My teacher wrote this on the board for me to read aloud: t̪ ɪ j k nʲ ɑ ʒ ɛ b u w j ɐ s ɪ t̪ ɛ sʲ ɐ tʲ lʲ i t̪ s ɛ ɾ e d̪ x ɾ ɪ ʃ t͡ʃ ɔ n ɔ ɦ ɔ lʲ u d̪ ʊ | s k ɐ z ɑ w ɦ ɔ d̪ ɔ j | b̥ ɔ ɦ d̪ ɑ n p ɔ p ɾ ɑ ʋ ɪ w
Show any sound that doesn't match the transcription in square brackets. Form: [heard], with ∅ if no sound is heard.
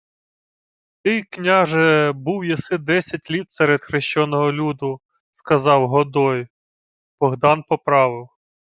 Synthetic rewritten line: t̪ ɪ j k nʲ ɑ ʒ ɛ b u w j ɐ s ɪ [d̪] ɛ sʲ ɐ tʲ lʲ i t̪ s ɛ ɾ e d̪ x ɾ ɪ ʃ t͡ʃ ɔ n ɔ ɦ ɔ lʲ u d̪ ʊ | s k ɐ z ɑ w ɦ ɔ d̪ ɔ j | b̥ ɔ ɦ d̪ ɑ n p ɔ p ɾ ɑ ʋ ɪ w